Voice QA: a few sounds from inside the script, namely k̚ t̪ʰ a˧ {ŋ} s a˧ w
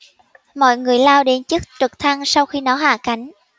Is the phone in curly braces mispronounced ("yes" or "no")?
no